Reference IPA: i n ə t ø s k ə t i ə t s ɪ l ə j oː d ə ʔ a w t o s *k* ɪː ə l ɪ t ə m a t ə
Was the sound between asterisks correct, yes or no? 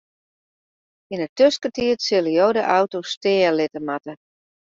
no